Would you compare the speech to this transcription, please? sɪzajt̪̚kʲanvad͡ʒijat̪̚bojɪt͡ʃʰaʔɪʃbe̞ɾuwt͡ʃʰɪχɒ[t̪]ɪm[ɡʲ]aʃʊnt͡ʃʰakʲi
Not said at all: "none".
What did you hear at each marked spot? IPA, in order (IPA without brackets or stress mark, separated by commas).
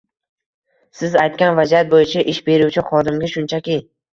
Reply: d̪, ɡʲ